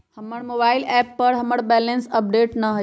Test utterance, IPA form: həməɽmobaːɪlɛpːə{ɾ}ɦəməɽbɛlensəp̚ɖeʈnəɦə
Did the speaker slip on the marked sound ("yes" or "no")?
no